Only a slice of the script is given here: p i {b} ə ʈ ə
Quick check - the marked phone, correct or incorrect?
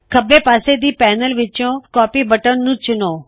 correct